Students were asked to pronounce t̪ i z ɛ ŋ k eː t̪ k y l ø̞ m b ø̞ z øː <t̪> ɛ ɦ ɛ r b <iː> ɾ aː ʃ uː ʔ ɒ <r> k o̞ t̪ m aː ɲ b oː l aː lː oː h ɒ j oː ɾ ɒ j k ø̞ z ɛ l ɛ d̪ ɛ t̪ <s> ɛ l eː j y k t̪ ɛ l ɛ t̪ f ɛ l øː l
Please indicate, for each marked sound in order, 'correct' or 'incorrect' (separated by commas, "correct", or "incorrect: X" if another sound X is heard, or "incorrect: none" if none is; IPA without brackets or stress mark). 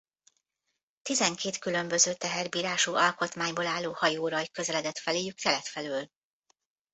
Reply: correct, correct, incorrect: l, incorrect: f